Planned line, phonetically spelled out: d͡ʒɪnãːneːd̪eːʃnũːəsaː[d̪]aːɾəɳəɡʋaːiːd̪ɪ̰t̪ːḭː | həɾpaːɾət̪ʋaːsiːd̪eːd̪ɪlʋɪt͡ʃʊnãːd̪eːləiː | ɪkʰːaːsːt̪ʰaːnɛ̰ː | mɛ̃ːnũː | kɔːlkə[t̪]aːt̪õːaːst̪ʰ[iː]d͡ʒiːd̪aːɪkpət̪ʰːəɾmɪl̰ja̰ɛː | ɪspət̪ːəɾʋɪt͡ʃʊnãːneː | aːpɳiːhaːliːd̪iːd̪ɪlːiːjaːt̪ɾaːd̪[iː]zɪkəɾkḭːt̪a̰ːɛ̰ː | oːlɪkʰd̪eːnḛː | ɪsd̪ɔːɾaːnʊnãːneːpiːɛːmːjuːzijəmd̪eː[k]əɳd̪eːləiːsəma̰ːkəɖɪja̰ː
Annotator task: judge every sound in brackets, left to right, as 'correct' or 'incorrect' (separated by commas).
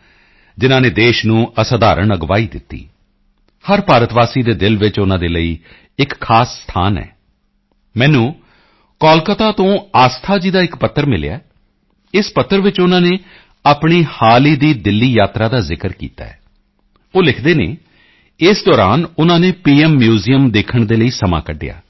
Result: correct, correct, incorrect, incorrect, incorrect